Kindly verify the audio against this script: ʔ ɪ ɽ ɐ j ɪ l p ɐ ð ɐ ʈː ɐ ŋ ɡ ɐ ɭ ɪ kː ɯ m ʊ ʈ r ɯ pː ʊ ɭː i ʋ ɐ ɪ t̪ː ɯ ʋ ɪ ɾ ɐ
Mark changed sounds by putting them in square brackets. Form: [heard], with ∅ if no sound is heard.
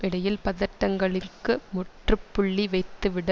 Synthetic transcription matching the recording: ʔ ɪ ɽ ɐ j ɪ l p ɐ ð ɐ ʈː ɐ ŋ ɡ ɐ ɭ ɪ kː ɯ m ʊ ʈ r ɯ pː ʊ ɭː i ʋ ɐ ɪ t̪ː ɯ ʋ ɪ [ɽ] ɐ